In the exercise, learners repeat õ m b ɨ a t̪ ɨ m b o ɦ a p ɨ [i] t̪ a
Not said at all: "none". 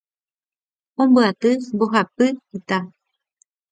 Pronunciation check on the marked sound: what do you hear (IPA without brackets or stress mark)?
i